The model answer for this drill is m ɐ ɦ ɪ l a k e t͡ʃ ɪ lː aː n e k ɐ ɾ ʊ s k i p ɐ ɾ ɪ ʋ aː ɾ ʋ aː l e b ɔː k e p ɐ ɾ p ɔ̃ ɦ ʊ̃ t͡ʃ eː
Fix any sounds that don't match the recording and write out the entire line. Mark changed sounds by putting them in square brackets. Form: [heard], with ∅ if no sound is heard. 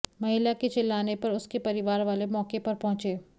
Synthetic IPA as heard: m ɐ ɦ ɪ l a k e t͡ʃ ɪ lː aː n e [p] ɐ ɾ ʊ s k [e] p ɐ ɾ ɪ ʋ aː ɾ ʋ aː l e [m] ɔː k e p ɐ ɾ p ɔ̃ ɦ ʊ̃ t͡ʃ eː